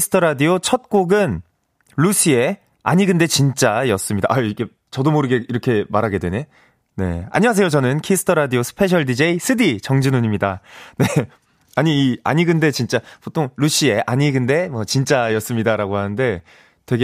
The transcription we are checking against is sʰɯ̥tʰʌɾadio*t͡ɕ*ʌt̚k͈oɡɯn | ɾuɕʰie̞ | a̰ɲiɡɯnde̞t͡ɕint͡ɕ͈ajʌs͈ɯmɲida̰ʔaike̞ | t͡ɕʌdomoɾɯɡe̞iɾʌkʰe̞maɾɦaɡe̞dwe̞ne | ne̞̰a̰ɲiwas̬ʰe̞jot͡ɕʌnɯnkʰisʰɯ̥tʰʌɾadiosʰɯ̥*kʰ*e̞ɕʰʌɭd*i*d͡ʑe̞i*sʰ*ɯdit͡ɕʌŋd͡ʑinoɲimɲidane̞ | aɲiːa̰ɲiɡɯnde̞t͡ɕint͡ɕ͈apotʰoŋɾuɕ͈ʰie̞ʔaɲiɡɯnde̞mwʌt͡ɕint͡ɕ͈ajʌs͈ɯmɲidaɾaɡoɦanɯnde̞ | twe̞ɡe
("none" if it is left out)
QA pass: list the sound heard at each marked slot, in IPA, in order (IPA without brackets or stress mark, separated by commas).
t͡ɕʰ, pʰ, i, sʰ